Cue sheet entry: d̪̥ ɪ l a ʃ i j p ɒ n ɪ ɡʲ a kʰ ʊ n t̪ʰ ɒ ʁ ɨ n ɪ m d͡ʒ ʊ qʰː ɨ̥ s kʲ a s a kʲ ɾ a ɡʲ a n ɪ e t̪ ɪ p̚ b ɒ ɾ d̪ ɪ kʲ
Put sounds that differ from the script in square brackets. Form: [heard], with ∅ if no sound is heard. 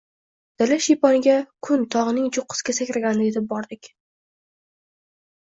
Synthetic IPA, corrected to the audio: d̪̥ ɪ l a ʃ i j p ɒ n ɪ ɡʲ a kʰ ʊ n t̪ʰ ɒ ʁ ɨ n ɪ [ŋ] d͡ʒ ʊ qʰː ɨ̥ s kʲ a s a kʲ ɾ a ɡʲ a n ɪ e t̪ ɪ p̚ b ɒ ɾ d̪ ɪ kʲ

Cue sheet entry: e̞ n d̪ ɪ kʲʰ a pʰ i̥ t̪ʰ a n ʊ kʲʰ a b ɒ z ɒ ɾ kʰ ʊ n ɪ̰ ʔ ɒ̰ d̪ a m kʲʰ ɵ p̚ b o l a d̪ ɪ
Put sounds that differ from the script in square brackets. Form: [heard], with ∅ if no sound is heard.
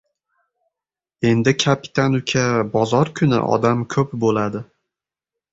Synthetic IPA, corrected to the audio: e̞ n d̪ ɪ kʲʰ a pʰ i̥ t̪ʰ a n ʊ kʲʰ a b ɒ z ɒ ɾ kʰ ʊ n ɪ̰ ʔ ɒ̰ d̪ a m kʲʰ ɵ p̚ b o l a d̪ ɪ

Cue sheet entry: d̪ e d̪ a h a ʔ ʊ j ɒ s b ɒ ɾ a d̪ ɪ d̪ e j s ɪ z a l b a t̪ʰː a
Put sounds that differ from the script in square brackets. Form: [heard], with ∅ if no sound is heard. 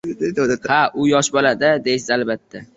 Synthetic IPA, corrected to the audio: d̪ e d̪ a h a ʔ ʊ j ɒ [ʃ] b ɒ [l] a d̪ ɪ d̪ e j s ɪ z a l b a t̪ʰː a

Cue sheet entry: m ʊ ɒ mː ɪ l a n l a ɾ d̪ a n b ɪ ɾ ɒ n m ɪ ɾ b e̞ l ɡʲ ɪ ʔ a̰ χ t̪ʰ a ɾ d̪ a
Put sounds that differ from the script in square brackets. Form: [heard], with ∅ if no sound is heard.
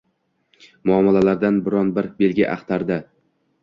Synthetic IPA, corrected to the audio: m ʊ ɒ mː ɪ l a [∅] l a ɾ d̪ a n b ɪ ɾ ɒ n [b] ɪ ɾ b e̞ l ɡʲ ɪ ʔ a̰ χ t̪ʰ a ɾ d̪ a

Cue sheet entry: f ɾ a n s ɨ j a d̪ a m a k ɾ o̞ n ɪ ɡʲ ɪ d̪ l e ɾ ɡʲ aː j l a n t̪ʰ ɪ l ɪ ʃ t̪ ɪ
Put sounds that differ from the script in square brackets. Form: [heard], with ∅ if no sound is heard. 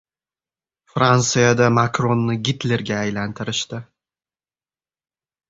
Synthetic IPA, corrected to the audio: f ɾ a n s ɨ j a d̪ a m a k ɾ o̞ [nː] ɪ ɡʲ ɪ [t̪] l e ɾ ɡʲ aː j l a n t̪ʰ ɪ [ɾ] ɪ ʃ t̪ ɪ

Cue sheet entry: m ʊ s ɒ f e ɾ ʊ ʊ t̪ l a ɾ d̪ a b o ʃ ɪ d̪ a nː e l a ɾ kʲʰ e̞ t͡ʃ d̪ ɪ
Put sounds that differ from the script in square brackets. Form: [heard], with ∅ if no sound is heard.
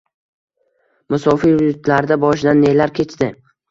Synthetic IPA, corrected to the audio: m ʊ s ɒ f [i] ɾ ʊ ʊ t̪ l a ɾ d̪ a b [ɒ] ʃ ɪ d̪ a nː e l a ɾ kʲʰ e̞ t͡ʃ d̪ ɪ

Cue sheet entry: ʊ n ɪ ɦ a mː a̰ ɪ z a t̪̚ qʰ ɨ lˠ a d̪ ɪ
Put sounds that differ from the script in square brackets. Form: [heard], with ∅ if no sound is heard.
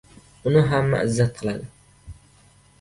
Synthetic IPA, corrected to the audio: ʊ n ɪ ɦ a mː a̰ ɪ [zː] a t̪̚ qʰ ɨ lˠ a d̪ ɪ

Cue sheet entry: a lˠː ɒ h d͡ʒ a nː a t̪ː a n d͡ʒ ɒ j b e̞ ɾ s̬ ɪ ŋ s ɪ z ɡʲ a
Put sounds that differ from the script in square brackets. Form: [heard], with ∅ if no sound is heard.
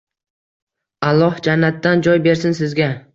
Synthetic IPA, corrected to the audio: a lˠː ɒ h d͡ʒ a nː a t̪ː a n d͡ʒ ɒ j b e̞ ɾ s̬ ɪ [n] s ɪ z ɡʲ a

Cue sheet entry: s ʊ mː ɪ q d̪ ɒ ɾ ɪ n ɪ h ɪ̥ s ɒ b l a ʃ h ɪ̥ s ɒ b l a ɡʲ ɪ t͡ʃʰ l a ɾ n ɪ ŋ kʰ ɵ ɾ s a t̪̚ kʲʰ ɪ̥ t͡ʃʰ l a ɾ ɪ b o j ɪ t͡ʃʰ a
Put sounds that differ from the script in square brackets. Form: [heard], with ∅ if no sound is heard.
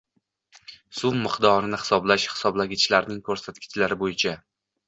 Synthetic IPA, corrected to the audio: s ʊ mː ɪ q d̪ ɒ ɾ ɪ n ɪ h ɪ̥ s ɒ b l a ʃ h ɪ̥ s ɒ b l a ɡʲ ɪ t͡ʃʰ l a ɾ n ɪ ŋ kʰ ɵ ɾ s a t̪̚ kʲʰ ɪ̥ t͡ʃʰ l a ɾ ɪ b o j ɪ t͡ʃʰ a

